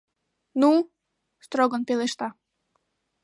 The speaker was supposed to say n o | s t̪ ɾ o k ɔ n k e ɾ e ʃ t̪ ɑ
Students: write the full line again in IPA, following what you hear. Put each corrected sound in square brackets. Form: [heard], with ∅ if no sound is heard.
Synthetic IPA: n [u] | s t̪ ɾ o [ɡ] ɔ n [p] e [l] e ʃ t̪ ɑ